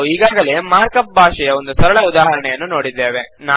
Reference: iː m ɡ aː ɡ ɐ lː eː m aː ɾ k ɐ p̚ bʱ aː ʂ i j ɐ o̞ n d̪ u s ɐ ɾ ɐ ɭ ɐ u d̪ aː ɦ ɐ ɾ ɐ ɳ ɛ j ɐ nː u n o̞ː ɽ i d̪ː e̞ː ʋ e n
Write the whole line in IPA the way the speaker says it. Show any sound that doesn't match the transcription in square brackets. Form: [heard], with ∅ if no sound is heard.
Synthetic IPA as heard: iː [∅] ɡ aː ɡ ɐ [l] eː m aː ɾ k ɐ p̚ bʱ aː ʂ [ɛ] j ɐ o̞ n d̪ u s ɐ ɾ ɐ ɭ ɐ u d̪ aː ɦ ɐ ɾ ɐ ɳ ɛ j ɐ nː u n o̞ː ɽ i d̪ː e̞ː ʋ e n